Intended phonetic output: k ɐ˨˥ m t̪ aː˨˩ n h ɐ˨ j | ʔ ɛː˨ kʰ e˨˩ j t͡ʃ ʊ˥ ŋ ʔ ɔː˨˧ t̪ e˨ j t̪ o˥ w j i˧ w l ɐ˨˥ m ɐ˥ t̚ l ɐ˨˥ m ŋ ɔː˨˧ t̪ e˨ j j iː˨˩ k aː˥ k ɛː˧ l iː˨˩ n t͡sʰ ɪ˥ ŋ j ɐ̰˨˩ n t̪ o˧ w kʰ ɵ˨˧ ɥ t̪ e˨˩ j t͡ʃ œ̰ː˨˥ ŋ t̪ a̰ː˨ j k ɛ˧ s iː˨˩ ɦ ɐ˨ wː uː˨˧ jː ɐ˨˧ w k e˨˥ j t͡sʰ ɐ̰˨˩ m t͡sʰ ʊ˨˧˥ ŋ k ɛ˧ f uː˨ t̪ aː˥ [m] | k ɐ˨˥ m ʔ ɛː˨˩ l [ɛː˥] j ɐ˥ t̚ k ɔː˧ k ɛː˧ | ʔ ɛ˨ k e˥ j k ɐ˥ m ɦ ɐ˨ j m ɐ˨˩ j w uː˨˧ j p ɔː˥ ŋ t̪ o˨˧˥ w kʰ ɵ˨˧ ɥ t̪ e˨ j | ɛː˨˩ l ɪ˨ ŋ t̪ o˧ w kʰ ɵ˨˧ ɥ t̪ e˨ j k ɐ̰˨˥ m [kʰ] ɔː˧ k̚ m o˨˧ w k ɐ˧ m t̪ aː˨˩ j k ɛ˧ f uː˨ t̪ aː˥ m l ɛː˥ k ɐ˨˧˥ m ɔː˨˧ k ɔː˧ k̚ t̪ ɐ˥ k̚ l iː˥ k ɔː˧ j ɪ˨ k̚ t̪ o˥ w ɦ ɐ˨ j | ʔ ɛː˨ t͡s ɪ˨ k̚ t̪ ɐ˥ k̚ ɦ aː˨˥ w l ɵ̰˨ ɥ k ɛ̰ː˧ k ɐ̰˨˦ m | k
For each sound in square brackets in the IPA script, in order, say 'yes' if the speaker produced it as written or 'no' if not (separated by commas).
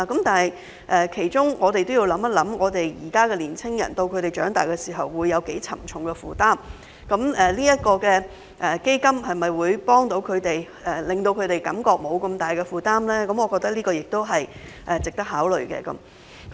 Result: yes, no, no